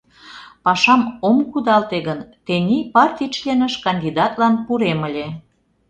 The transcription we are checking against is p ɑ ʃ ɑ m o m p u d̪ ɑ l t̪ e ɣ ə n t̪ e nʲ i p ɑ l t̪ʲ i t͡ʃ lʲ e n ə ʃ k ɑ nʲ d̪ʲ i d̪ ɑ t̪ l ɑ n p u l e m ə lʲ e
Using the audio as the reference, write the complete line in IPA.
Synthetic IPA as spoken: p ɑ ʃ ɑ m o m k u d̪ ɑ l t̪ e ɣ ə n t̪ e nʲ i p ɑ r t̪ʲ i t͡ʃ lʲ e n ə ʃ k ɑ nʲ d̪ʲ i d̪ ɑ t̪ l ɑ n p u ɾ e m ə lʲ e

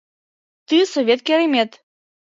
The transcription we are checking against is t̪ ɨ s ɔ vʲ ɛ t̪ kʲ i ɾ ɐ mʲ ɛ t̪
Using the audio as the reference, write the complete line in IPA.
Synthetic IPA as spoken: t̪ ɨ s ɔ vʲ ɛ t̪ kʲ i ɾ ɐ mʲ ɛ t̪

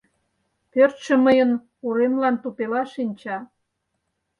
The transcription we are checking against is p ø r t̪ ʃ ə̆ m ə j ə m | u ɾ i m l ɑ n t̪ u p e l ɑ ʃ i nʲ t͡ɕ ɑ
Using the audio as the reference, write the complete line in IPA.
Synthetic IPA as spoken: p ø r t̪ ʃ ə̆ m ə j ə n | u ɾ e m l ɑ n t̪ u p e l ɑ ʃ i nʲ t͡ɕ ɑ

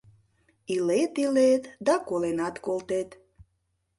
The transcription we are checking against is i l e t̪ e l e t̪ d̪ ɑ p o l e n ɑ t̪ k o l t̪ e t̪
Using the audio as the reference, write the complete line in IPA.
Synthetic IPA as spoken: i l e t̪ i l e t̪ d̪ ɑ k o l e n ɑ t̪ k o l t̪ e t̪

